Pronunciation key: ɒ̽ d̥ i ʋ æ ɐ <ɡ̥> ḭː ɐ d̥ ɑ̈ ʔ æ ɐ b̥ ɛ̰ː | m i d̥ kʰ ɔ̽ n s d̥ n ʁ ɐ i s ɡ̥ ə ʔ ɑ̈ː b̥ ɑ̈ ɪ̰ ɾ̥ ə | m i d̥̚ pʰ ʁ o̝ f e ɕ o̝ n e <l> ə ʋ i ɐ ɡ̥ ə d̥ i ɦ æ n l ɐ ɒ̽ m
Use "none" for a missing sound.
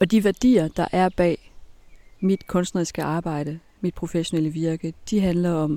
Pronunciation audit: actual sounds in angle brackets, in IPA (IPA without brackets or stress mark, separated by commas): d̥, l